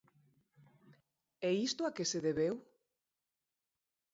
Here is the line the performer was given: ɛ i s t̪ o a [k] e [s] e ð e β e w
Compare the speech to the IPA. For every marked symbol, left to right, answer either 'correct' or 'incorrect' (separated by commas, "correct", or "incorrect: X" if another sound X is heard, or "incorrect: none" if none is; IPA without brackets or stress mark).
correct, correct